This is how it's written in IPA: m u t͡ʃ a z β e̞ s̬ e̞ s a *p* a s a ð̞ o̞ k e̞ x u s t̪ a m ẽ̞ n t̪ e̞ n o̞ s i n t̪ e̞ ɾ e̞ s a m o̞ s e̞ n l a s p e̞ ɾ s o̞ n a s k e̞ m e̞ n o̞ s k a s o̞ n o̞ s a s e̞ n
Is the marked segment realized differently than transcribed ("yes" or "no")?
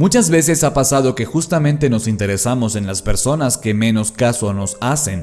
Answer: no